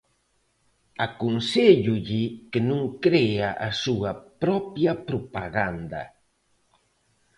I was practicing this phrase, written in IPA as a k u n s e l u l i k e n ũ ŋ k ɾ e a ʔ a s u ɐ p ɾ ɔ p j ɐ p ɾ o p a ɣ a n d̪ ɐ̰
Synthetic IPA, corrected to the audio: a k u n s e ʎ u ʎ i k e n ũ ŋ k ɾ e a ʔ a s u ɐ p ɾ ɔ p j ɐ p ɾ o p a ɣ a n d̪ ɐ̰